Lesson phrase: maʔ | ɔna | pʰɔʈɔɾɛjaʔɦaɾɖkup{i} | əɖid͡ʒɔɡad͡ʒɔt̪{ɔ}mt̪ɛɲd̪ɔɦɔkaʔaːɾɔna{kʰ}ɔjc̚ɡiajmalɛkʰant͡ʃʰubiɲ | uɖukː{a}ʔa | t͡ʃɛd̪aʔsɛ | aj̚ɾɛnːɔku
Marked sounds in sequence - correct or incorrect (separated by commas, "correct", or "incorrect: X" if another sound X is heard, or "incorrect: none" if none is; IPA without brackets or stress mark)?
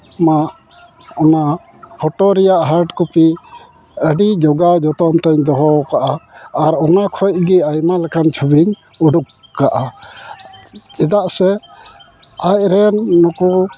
correct, correct, correct, correct